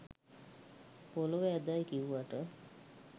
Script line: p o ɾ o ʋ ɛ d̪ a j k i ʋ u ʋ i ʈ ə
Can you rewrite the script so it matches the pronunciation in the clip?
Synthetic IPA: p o l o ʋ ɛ d̪ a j k i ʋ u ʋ a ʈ ə